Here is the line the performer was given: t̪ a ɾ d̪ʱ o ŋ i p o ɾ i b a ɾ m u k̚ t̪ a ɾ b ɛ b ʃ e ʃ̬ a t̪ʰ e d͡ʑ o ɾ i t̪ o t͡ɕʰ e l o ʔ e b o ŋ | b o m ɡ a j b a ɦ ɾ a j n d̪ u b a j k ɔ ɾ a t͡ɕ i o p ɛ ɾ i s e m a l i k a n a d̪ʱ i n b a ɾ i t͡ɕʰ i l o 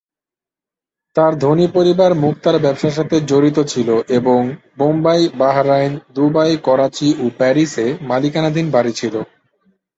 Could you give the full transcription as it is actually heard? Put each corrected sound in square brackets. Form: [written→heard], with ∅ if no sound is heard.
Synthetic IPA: t̪ a ɾ d̪ʱ o [ŋ→n] i p o ɾ i b a ɾ m u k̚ t̪ a ɾ b ɛ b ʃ [e→a] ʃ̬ a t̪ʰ e d͡ʑ o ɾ i t̪ o t͡ɕʰ [e→i] l o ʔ e b o ŋ | b o m [ɡ→b] a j b a ɦ ɾ a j n d̪ u b a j k ɔ ɾ a t͡ɕ i o p ɛ ɾ i s e m a l i k a n a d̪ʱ i n b a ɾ i t͡ɕʰ i l o